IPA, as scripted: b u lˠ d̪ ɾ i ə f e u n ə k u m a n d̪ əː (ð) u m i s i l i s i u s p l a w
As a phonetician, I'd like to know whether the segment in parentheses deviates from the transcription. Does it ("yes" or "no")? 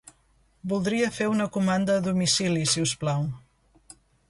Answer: no